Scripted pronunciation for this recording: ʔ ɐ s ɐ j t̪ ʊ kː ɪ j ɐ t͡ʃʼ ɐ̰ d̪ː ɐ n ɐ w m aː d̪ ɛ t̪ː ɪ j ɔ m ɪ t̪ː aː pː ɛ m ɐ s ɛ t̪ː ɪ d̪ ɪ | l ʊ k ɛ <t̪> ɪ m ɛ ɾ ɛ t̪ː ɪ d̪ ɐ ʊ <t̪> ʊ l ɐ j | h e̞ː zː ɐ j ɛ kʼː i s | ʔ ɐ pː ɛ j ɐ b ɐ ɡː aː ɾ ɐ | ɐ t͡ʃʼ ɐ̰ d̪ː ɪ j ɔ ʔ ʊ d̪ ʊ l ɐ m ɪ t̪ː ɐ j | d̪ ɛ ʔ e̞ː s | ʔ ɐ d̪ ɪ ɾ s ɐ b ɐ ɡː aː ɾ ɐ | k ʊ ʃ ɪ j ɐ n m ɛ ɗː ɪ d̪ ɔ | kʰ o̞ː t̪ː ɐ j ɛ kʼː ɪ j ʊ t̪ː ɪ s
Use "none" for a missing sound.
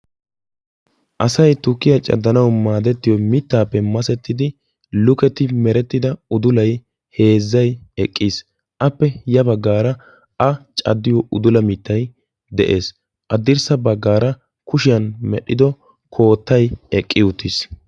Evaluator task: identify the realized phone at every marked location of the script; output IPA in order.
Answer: t̪, d̪

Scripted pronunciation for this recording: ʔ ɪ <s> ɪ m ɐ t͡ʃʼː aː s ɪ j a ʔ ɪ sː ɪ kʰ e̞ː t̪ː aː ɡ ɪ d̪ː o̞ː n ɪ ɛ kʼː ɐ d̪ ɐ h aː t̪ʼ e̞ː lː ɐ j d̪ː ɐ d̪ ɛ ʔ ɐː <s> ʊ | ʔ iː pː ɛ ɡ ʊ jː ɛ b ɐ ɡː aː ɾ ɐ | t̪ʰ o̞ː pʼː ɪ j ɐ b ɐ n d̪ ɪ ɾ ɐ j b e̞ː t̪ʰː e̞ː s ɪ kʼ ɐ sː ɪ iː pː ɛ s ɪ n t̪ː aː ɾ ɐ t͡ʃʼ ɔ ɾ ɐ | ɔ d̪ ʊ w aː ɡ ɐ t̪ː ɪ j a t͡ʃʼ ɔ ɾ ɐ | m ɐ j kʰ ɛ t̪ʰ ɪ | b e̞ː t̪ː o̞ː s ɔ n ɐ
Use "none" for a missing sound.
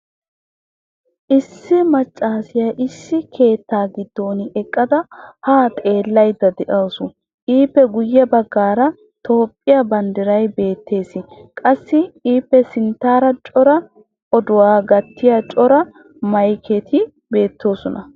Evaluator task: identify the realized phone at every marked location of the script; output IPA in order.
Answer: sː, s

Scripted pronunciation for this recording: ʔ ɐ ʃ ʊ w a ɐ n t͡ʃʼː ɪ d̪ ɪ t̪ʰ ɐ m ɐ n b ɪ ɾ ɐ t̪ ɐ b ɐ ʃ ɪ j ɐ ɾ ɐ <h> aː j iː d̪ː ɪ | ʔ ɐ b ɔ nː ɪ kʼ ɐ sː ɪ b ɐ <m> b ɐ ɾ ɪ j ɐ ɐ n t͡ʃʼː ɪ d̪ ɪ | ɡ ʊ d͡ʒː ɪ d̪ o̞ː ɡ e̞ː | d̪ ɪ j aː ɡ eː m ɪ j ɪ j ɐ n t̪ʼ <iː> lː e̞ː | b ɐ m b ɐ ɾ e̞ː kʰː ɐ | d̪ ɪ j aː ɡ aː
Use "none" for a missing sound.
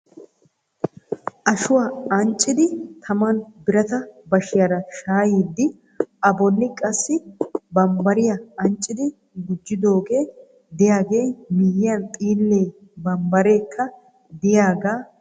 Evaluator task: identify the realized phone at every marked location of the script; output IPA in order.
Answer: ʃ, m, iː

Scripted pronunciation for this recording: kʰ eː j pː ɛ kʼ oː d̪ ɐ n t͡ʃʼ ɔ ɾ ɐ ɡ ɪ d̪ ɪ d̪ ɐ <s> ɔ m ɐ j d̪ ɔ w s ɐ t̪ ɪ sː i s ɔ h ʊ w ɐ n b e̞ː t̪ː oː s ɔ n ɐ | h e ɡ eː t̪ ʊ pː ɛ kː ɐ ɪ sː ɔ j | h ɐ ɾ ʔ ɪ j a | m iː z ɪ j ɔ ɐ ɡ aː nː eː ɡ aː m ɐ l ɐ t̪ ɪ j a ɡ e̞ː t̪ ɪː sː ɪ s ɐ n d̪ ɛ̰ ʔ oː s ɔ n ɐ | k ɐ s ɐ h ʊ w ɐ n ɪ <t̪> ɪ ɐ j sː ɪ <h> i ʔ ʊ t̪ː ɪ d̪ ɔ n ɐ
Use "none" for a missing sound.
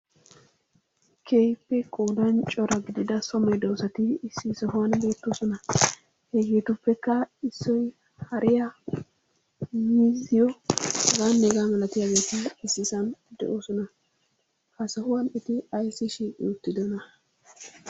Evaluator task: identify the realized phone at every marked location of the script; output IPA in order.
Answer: s, t̪, ʃ

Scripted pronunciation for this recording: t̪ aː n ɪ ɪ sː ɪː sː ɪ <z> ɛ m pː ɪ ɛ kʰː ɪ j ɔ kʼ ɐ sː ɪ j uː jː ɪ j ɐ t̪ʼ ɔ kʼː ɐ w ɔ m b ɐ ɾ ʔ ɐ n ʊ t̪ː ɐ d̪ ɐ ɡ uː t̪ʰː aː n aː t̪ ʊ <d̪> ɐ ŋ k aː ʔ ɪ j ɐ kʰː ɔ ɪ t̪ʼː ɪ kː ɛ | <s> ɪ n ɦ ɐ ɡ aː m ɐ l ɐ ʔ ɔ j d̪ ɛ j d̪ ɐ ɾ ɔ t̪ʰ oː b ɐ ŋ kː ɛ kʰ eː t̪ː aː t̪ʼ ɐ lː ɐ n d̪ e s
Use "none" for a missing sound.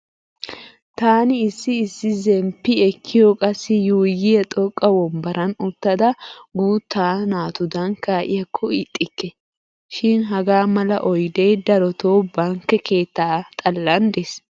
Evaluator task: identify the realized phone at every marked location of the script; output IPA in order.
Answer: z, d̪, ʃ

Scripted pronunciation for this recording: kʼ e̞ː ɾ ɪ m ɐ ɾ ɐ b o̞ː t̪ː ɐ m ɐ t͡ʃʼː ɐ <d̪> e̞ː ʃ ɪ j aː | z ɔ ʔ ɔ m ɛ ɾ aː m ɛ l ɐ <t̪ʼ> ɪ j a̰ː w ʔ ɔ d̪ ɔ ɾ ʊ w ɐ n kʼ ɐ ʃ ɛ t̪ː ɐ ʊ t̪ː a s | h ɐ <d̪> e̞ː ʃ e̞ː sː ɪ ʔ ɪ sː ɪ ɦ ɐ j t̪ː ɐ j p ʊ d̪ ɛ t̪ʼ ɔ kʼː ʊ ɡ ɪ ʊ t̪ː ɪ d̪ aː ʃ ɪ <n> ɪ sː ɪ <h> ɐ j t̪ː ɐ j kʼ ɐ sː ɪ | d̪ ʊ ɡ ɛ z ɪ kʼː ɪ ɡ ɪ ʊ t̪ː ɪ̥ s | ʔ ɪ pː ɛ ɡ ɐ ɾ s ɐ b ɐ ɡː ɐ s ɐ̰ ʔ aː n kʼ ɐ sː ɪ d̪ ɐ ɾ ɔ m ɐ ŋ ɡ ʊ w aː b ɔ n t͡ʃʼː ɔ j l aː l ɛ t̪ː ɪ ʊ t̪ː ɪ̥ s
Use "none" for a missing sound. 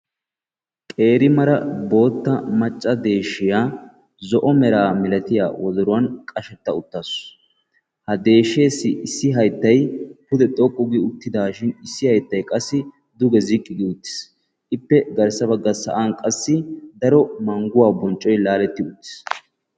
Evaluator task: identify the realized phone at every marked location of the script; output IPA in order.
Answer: d̪, t̪, d̪, n, h

